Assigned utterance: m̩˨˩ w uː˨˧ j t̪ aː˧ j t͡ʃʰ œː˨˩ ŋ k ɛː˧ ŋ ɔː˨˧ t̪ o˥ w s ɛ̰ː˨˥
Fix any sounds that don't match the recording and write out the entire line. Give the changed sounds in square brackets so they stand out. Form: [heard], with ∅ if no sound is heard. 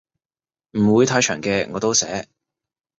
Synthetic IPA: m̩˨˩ w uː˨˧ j [t̪ʰ] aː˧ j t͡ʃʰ œː˨˩ ŋ k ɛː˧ ŋ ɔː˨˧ t̪ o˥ w s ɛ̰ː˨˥